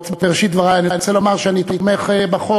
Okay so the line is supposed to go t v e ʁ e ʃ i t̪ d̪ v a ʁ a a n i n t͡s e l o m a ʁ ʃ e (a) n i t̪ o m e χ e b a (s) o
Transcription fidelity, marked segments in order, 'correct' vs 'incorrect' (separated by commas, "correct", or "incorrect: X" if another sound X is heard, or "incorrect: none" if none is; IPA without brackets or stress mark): correct, incorrect: χ